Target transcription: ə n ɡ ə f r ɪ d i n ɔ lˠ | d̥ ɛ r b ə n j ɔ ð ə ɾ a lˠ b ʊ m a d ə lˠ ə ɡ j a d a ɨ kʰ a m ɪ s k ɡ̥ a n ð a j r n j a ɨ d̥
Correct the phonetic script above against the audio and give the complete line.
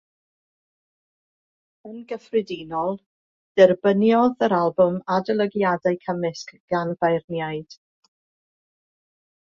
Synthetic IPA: ə n ɡ ə f r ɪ d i n ɔ lˠ | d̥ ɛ r b ə n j ɔ ð ə ɾ a lˠ b ʊ m a d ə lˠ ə ɡ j a d a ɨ kʰ ə m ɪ s k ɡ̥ a n v a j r n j a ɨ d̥